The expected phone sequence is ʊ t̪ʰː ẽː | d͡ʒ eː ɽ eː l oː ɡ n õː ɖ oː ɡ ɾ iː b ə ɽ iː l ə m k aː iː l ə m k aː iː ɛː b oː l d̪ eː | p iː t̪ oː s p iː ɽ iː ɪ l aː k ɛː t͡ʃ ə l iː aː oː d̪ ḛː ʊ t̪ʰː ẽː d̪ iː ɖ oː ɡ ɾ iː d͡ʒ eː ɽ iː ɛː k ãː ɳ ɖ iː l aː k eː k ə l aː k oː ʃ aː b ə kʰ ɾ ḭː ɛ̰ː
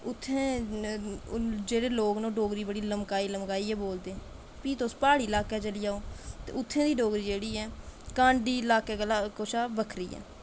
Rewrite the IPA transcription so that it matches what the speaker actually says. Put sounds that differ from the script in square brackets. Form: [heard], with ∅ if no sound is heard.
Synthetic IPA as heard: ʊ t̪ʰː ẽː | d͡ʒ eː ɽ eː l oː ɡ n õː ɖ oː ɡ ɾ iː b ə ɽ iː l ə m k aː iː l ə m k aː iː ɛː b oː l d̪ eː | p iː t̪ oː s p [aː] ɽ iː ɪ l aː k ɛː t͡ʃ ə l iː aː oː [t̪] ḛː ʊ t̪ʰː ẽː d̪ iː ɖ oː ɡ ɾ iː d͡ʒ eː ɽ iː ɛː k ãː ɳ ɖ iː l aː k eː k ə l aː k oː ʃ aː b ə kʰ ɾ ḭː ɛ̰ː